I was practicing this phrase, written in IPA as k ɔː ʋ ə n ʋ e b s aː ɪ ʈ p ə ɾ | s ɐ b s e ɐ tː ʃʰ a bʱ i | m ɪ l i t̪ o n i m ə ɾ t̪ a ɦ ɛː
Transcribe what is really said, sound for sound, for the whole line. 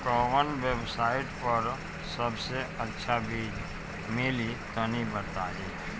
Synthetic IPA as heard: k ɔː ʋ ə n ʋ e b s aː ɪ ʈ p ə ɾ | s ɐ b s e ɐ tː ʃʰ a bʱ i | m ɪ l i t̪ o n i b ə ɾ t̪ a ɦ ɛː